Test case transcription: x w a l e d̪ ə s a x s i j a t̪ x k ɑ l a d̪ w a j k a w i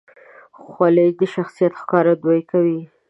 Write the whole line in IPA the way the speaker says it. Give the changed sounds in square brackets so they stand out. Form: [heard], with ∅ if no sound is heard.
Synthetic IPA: x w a l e d̪ ə [ʃ] a x s i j a t̪ x k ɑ [ɾ] a d̪ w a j k a w i